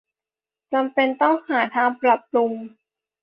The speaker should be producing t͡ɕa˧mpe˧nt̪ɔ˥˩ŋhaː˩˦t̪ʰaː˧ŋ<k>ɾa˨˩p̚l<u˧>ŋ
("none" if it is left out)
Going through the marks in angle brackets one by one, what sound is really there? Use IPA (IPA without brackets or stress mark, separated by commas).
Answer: p, u˧